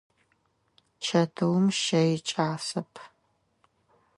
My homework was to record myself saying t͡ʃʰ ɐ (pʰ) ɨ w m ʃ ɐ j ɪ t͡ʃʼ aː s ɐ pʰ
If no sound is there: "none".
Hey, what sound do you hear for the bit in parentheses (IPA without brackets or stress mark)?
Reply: tʰ